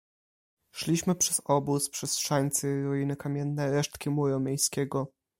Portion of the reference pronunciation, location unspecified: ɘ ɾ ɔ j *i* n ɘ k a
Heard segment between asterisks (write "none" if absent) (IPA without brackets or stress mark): i